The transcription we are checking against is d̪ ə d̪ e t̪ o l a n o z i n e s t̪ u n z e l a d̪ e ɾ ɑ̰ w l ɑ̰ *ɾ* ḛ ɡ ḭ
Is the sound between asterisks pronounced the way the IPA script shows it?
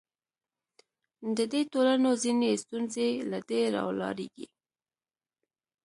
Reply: yes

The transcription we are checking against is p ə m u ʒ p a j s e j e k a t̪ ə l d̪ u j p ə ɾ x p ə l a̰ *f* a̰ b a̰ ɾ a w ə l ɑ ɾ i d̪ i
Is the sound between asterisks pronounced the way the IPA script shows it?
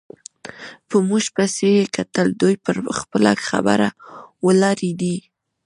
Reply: no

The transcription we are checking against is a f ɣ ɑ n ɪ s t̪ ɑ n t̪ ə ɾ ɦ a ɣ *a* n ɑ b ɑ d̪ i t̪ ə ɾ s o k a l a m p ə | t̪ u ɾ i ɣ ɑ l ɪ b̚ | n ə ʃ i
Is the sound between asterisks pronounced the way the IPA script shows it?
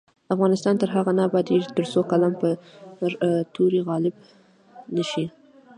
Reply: yes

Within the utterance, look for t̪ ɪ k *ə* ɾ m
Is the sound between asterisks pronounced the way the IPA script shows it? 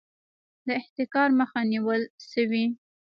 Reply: no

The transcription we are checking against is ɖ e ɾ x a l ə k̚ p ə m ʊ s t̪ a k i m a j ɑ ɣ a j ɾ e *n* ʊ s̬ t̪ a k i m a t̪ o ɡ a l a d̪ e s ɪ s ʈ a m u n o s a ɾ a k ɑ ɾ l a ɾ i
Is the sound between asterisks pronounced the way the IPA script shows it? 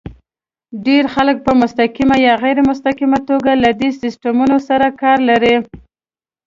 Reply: no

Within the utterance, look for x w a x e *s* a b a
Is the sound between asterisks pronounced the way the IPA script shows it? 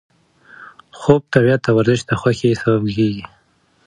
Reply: yes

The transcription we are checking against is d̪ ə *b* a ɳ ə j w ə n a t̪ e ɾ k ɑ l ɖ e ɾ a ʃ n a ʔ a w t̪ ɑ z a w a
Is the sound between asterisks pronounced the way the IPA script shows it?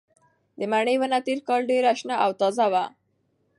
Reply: no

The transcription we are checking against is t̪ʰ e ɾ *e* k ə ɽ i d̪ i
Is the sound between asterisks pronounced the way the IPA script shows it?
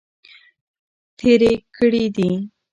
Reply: yes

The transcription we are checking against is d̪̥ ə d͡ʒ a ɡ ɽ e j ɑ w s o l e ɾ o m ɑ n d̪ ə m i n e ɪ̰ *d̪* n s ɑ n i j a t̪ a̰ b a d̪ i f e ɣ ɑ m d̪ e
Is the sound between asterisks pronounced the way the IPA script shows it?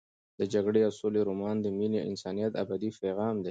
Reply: no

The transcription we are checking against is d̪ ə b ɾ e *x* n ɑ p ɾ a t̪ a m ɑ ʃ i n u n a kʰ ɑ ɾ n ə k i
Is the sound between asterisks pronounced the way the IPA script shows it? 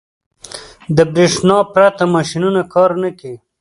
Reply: no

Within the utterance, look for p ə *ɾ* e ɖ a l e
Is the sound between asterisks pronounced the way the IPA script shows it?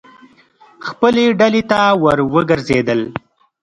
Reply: no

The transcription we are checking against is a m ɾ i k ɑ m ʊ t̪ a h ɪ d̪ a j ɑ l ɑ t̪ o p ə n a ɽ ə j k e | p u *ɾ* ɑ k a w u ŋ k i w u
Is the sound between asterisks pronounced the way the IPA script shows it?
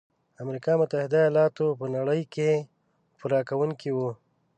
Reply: yes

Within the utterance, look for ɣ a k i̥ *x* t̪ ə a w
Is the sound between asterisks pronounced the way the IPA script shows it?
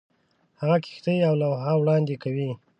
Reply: yes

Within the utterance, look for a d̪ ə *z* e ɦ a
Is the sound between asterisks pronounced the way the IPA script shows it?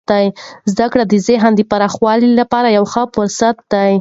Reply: yes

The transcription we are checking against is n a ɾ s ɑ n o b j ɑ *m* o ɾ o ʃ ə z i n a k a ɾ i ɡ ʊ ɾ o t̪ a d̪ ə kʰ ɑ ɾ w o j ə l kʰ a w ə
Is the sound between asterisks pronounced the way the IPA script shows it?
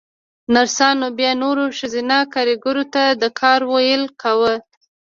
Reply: no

